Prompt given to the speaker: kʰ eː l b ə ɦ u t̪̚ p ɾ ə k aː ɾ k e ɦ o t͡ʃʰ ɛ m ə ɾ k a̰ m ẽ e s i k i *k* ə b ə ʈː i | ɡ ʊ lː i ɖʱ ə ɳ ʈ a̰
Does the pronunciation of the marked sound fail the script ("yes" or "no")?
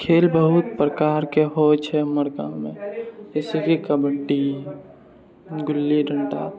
no